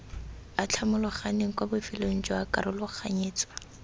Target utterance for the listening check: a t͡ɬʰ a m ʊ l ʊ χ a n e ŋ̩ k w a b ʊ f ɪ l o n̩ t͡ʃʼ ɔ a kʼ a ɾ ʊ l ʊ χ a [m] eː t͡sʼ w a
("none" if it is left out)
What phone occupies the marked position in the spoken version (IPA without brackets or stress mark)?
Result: ɲ